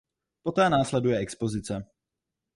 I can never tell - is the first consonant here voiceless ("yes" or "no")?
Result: yes